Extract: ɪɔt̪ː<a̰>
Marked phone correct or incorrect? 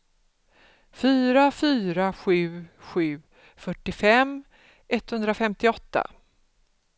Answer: correct